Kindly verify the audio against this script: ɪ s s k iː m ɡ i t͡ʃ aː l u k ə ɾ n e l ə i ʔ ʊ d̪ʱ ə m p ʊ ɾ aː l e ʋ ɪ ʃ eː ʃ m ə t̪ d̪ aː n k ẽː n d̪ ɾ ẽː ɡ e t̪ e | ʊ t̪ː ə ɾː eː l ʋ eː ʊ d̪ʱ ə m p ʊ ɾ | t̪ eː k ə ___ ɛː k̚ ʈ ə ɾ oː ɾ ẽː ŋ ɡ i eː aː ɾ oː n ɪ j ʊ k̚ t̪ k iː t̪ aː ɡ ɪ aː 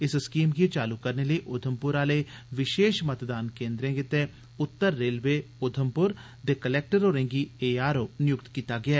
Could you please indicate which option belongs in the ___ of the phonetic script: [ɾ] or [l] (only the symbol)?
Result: l